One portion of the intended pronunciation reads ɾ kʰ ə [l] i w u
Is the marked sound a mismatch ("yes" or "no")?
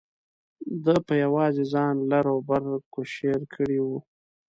yes